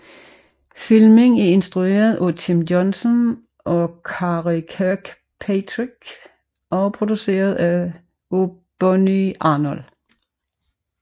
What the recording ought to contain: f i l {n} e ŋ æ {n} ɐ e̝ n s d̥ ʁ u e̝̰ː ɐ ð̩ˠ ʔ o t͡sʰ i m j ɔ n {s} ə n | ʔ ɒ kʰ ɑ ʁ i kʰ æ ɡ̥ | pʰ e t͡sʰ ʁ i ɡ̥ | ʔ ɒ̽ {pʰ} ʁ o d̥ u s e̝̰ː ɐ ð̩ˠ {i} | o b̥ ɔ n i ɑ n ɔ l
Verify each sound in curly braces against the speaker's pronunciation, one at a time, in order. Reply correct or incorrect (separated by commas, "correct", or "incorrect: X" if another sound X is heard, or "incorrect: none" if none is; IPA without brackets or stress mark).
incorrect: m, incorrect: none, correct, correct, incorrect: æ